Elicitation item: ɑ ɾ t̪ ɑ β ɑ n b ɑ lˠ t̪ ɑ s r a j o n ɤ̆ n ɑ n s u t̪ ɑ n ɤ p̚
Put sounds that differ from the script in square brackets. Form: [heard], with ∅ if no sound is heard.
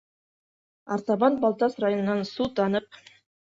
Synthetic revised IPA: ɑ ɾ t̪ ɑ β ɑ n b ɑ lˠ t̪ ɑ s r a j o n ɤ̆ n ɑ n s u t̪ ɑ n ɤ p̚